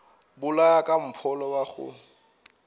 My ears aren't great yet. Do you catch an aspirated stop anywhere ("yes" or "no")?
yes